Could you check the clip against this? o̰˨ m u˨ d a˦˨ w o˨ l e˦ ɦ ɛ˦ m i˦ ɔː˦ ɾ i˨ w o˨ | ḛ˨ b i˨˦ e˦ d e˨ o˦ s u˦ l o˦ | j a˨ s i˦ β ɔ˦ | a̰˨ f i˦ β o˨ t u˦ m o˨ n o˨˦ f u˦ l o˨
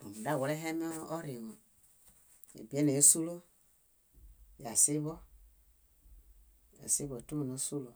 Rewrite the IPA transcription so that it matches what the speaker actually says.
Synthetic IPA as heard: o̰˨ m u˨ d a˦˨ w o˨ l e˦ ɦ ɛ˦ m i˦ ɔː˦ ɾ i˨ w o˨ | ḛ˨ b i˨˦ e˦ n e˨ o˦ s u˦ l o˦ | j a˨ s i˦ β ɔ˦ | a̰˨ s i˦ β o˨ t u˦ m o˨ n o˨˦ s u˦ l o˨